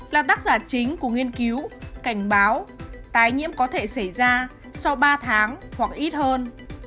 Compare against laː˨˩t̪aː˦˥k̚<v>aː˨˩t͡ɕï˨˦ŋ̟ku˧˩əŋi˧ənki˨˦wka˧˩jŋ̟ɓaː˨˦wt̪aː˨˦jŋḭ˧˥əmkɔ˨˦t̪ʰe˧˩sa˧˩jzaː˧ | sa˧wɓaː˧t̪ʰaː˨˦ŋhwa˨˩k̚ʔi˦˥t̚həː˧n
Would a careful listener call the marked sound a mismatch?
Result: yes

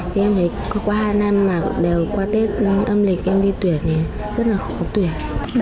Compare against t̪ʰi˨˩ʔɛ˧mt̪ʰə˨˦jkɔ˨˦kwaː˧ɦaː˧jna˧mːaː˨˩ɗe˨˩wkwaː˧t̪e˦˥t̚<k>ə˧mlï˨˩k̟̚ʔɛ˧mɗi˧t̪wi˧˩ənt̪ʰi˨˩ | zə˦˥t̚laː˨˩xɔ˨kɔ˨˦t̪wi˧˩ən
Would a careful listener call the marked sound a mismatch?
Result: yes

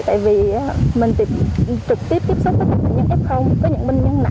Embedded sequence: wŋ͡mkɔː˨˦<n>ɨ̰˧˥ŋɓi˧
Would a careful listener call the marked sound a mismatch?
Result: yes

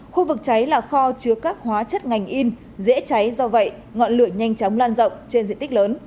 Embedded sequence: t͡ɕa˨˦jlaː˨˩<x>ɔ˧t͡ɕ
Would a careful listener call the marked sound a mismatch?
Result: no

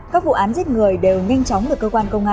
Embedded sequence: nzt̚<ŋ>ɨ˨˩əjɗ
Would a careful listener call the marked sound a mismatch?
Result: no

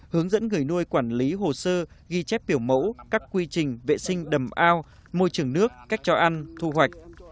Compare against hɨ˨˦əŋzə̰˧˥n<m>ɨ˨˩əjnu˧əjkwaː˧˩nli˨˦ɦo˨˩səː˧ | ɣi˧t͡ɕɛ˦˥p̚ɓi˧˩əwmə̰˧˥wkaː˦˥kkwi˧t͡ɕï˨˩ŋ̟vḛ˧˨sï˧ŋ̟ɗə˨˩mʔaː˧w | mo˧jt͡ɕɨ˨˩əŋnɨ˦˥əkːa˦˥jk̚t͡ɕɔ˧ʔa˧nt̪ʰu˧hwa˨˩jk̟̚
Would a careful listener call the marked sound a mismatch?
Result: yes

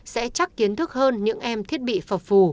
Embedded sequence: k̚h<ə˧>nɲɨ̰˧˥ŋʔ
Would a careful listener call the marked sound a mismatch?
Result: yes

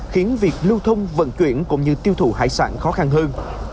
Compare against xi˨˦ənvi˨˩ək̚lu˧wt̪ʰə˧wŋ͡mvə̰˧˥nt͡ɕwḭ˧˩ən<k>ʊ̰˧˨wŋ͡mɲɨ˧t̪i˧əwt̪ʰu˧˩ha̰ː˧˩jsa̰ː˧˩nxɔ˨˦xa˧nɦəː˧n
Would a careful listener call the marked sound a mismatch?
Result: no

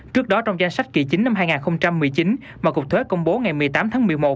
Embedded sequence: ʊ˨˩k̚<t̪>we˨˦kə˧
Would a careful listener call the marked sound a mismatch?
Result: yes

